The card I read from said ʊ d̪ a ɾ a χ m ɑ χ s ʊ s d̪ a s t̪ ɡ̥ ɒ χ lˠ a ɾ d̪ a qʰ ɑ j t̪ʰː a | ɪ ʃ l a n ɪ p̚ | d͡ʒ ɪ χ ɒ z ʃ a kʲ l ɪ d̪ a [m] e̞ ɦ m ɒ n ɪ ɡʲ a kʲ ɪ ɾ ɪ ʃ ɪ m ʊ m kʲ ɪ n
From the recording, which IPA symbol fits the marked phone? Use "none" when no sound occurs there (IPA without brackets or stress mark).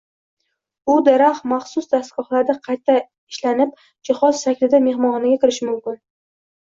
m